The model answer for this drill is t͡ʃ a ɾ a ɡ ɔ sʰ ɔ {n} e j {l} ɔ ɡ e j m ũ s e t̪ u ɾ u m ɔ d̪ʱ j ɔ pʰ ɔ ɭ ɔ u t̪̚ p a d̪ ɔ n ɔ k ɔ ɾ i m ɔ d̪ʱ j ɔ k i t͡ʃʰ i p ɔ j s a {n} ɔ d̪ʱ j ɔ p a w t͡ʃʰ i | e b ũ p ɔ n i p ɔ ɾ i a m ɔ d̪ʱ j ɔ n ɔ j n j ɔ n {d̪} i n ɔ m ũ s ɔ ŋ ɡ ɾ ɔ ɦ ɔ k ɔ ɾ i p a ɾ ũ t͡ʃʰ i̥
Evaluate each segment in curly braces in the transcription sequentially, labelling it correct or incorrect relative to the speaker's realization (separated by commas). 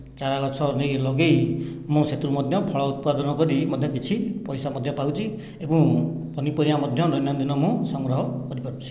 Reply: correct, correct, incorrect, correct